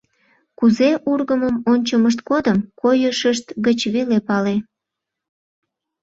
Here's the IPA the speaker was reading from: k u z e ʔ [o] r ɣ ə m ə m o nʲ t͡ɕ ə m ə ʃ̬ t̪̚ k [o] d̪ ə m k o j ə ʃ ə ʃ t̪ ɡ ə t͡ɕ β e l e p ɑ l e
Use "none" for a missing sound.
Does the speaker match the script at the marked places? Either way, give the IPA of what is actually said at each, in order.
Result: u, o

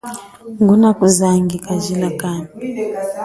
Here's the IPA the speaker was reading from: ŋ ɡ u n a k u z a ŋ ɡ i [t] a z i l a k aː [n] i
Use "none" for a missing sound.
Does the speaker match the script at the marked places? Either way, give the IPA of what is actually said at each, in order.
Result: k, n

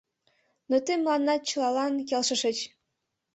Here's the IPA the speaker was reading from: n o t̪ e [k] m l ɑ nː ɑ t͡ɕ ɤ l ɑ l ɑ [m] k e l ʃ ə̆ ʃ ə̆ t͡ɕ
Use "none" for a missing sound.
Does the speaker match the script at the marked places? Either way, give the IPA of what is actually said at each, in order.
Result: none, n

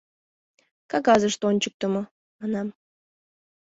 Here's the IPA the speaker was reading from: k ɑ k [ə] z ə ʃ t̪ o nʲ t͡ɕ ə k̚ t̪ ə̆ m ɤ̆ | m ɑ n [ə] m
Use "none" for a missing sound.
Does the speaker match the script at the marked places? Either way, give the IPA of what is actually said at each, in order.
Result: ɑ, ɑ

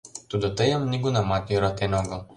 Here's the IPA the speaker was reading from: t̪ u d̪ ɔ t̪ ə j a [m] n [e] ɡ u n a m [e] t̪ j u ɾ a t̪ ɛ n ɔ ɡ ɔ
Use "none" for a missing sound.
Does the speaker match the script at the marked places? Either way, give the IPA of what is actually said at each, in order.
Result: m, i, a

